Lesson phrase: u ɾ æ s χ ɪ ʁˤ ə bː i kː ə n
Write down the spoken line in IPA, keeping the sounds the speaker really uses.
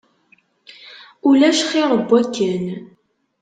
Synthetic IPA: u l æ ʃ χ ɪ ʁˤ ə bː æ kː ə n